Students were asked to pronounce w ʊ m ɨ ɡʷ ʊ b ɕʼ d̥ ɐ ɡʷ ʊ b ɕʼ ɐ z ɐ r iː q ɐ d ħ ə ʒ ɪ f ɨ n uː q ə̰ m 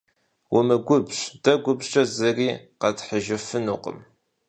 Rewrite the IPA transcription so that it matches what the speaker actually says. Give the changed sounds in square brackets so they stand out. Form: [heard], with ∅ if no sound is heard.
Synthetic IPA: w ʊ m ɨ ɡʷ ʊ b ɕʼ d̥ ɐ ɡʷ ʊ b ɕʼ ɐ z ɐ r iː q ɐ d ħ ə ʒ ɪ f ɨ n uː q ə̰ m